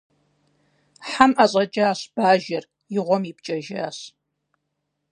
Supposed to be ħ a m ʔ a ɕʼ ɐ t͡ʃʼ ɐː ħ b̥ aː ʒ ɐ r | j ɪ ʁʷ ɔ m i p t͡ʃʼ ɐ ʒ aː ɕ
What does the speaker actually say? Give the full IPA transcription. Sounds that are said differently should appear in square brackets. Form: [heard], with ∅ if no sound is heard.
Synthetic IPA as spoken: ħ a m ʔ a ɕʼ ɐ t͡ʃʼ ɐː [ɕ] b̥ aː ʒ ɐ r | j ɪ ʁʷ ɔ m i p t͡ʃʼ ɐ ʒ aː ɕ

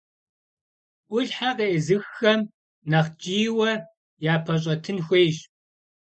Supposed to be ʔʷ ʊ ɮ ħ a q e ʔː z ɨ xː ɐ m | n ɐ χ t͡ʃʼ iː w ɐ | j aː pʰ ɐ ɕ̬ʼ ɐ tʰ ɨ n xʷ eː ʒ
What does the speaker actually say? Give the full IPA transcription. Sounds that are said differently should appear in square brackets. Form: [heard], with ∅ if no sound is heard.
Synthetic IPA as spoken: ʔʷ ʊ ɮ ħ a q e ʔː z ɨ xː ɐ m | n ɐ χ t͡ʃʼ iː w ɐ | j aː pʰ ɐ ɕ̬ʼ ɐ tʰ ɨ n xʷ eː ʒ

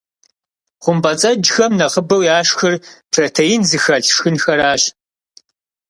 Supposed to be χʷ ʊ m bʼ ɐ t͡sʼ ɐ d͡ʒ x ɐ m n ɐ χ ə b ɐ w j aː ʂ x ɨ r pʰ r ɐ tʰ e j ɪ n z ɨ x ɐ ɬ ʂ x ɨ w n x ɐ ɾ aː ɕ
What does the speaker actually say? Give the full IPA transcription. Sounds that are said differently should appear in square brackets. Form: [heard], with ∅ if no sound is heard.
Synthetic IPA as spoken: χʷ ʊ m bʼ ɐ t͡sʼ ɐ d͡ʒ x ɐ m n ɐ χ ə b ɐ w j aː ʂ x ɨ r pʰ r ɐ tʰ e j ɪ n z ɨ x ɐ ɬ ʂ x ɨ [∅] n x ɐ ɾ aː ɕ

